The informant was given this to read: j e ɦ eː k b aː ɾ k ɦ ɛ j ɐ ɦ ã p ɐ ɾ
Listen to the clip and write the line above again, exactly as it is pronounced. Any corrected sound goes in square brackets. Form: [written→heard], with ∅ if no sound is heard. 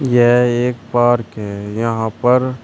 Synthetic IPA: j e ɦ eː k [b→p] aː ɾ k ɦ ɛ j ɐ ɦ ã p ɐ ɾ